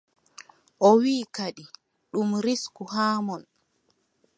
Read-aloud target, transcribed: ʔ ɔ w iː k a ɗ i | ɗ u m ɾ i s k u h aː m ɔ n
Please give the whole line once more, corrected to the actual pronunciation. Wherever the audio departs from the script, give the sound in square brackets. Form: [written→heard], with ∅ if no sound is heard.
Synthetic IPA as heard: ʔ ɔ w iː k a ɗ i | ɗ u m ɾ i s k u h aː m ɔ n